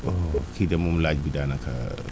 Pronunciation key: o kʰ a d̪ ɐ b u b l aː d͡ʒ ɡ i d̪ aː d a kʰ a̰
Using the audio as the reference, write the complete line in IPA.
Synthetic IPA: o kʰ i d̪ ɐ m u m l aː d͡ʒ b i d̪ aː n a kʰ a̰